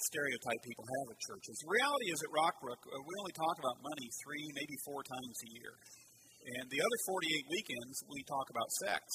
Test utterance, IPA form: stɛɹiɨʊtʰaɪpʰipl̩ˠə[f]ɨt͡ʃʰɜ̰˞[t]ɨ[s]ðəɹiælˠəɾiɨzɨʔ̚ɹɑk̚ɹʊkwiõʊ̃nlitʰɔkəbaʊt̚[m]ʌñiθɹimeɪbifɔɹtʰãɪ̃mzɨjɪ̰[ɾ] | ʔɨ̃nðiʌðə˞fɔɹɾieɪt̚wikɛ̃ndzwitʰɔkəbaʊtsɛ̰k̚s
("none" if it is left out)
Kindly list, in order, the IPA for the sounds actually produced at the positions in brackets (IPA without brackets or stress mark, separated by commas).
v, t͡ʃ, z, m, ɹ